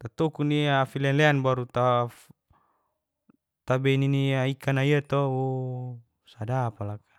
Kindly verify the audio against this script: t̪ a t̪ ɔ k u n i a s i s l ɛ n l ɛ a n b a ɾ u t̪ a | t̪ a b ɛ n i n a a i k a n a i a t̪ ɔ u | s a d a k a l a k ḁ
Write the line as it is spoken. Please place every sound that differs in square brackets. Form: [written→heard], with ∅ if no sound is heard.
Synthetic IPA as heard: t̪ a t̪ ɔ k u n i a [s→f] i [s→∅] l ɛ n l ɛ a n b a ɾ u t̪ a | t̪ a b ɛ n i n [a→i] a i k a n a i a t̪ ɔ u | s a d a [k→p] a l a k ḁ